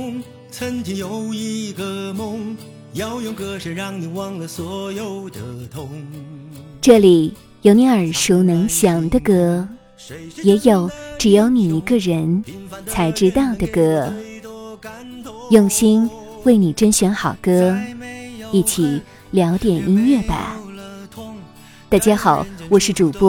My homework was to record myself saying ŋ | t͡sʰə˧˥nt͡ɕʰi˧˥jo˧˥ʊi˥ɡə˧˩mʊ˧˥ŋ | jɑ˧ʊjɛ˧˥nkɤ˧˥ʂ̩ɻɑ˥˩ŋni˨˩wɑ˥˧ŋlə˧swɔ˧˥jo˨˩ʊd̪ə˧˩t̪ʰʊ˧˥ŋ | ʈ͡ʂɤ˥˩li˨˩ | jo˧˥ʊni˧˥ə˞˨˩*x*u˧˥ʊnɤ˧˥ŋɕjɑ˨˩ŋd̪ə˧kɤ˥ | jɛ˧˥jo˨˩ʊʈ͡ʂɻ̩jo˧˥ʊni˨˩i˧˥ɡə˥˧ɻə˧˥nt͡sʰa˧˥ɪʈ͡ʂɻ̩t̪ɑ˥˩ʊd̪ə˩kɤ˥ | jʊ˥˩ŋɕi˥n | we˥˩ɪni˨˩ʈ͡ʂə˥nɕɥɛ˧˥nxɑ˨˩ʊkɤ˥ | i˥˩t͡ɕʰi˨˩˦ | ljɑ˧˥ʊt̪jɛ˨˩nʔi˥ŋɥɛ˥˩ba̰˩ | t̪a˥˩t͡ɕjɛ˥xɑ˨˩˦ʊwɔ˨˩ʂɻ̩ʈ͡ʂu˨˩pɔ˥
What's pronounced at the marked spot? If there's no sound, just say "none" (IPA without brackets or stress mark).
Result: ʂ